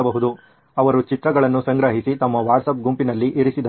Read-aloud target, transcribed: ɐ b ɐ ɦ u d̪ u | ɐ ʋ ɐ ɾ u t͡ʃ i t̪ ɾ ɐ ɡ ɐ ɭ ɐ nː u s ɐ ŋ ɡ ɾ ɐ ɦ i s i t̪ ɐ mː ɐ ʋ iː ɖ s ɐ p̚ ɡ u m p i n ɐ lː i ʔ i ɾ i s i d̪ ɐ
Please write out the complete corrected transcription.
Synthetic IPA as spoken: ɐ b ɐ ɦ u d̪ u | ɐ ʋ ɐ ɾ u t͡ʃ i t̪ ɾ ɐ ɡ ɐ ɭ ɐ nː u s ɐ ŋ ɡ ɾ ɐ ɦ i s i t̪ ɐ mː ɐ ʋ aː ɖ s ɐ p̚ ɡ u m p i n ɐ lː i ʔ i ɾ i s i d̪ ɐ